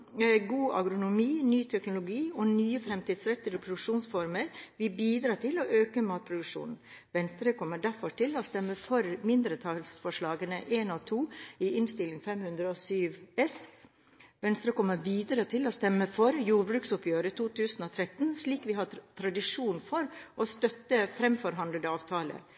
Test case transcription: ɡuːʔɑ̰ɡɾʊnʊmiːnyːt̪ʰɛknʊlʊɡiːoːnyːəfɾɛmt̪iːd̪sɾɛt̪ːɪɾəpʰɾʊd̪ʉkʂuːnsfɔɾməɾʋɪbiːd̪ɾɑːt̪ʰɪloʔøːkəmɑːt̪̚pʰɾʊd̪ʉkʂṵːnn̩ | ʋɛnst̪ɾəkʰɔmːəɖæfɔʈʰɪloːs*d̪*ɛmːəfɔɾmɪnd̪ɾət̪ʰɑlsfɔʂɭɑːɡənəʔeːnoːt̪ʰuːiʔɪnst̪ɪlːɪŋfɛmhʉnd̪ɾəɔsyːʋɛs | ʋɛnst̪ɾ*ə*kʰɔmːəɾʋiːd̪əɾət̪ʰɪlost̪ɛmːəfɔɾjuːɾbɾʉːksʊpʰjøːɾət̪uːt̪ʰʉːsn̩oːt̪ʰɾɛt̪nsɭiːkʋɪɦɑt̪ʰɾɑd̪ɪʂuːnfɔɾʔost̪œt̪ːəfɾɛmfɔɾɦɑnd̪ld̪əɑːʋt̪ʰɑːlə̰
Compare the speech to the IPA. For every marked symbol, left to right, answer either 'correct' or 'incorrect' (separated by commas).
incorrect, correct